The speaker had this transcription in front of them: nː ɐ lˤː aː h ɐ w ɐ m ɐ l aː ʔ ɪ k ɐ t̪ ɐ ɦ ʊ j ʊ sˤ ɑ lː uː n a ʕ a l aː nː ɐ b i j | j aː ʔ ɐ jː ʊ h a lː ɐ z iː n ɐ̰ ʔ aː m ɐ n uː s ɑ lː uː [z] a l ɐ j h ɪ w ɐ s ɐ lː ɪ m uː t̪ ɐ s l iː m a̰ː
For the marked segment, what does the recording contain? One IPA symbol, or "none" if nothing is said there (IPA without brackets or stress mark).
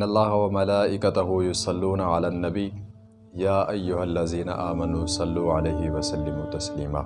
ʕ